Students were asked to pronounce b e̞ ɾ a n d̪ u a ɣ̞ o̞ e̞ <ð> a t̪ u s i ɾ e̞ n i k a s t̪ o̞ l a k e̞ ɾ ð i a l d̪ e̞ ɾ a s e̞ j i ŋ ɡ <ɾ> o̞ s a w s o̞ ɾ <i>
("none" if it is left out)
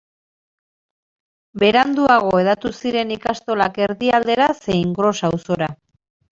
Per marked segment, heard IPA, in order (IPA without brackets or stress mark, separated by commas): ð, ɾ, a